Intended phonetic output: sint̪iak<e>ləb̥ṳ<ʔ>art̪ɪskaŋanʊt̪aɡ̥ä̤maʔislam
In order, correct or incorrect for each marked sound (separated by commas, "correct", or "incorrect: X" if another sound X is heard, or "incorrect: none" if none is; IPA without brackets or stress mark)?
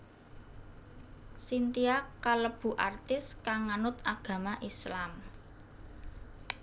incorrect: a, correct